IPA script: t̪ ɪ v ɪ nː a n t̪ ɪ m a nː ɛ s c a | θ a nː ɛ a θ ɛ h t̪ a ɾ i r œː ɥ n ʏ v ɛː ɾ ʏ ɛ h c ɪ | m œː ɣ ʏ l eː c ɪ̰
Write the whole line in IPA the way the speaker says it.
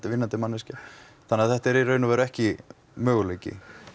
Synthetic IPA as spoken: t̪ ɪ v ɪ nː a n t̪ ɪ m a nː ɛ s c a | θ a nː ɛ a θ ɛ h t̪ ɛ ɾ i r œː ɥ n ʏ v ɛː ɾ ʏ ɛ h c ɪ | m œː ɣ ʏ l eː c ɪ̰